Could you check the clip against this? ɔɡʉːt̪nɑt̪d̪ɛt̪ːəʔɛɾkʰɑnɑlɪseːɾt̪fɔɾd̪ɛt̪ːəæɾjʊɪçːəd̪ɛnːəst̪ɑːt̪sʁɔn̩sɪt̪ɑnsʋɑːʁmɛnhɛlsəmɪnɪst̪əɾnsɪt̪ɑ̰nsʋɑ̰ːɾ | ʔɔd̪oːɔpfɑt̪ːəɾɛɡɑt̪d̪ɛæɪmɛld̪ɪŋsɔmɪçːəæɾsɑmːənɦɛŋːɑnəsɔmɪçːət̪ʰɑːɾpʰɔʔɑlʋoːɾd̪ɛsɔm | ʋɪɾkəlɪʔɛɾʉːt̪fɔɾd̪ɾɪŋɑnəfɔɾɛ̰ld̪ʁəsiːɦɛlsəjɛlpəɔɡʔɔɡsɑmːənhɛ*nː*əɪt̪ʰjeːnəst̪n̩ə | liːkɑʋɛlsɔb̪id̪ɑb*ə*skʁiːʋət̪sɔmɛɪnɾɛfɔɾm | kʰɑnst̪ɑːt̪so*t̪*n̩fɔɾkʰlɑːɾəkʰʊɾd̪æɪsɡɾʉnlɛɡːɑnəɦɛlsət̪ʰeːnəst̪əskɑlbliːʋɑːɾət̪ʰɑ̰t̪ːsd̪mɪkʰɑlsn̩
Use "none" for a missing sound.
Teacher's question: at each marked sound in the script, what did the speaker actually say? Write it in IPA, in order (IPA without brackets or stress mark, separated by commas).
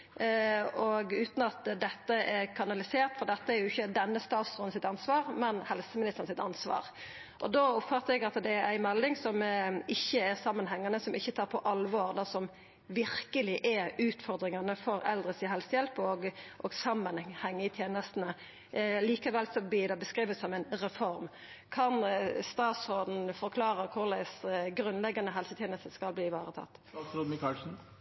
ŋː, ə, d̪